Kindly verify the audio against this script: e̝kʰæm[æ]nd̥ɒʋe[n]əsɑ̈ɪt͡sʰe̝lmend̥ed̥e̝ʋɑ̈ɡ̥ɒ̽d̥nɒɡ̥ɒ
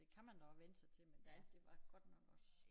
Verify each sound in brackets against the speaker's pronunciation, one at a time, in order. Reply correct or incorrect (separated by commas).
correct, correct